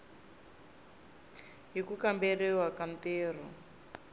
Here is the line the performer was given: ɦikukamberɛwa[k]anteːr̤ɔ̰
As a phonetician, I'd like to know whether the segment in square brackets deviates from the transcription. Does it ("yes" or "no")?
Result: no